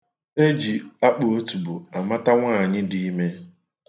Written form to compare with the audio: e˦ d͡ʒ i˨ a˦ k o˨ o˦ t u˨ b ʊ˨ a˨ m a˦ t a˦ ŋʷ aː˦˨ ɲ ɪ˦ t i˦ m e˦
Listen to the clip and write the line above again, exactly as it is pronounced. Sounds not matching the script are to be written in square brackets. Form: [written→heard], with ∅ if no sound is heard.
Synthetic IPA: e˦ d͡ʒ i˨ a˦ [k→k͡p] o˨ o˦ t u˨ b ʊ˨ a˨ m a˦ t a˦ ŋʷ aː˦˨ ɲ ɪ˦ [t→d] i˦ m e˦